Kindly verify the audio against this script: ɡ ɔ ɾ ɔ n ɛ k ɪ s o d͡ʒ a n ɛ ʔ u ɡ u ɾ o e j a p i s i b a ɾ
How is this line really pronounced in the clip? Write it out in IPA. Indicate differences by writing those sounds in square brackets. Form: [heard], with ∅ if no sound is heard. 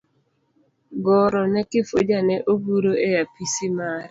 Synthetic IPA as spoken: ɡ ɔ ɾ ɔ n ɛ k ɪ [f] o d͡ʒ a n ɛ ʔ [o] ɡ u ɾ o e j a p i s i [m] a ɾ